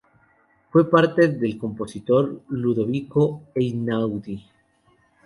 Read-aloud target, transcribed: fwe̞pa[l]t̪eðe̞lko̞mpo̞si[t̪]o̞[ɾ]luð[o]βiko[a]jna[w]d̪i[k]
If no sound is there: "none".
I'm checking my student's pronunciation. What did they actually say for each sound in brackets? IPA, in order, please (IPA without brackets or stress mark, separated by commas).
ɾ, t̪, ɾ, o, e, w, none